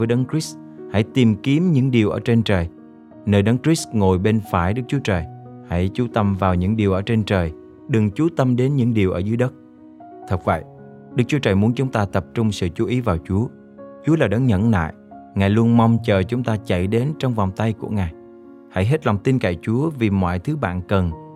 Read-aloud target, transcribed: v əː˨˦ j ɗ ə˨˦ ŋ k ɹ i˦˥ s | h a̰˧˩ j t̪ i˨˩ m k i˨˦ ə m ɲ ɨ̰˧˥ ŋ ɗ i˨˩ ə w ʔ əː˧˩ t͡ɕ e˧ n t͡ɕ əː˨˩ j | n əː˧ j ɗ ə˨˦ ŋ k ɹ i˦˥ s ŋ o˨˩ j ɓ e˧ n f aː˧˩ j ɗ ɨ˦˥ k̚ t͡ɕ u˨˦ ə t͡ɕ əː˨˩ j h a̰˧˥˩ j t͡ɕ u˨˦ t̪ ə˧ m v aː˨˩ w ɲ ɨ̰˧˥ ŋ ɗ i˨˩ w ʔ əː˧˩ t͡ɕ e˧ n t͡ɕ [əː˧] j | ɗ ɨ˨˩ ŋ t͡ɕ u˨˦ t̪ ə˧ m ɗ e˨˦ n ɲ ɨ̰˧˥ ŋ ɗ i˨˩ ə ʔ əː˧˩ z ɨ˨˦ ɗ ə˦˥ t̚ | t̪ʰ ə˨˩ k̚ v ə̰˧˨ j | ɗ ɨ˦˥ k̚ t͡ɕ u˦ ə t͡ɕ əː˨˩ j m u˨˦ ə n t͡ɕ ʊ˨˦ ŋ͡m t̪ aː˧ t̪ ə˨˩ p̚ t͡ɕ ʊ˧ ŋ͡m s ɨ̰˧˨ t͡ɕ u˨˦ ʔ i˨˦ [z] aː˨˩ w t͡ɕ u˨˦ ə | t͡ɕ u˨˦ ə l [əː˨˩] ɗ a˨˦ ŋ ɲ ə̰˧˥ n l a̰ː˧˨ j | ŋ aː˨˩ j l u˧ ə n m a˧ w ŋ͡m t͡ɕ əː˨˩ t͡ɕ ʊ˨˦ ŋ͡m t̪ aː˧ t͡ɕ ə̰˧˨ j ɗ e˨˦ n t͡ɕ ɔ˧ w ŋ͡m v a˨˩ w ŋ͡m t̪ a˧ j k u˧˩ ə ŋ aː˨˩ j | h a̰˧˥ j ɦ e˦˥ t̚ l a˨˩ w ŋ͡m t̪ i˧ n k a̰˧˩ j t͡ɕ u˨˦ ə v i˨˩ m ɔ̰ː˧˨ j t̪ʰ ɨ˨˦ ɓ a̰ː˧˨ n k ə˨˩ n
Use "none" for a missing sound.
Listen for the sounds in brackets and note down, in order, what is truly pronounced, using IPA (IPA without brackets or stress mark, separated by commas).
əː˨˩, v, aː˨˩